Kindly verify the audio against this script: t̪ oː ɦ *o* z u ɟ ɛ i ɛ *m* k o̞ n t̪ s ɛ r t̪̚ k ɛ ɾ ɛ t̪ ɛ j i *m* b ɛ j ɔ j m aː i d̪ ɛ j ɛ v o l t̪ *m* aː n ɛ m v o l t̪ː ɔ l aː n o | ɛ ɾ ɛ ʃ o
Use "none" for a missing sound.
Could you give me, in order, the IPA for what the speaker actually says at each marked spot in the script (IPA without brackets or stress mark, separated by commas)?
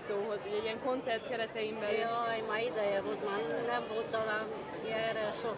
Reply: o, ŋ, m, m